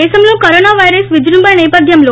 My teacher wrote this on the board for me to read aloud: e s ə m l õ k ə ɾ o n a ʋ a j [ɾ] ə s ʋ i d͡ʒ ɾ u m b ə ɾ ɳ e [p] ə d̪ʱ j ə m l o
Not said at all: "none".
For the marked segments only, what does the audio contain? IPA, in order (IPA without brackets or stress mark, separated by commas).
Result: ɾ, p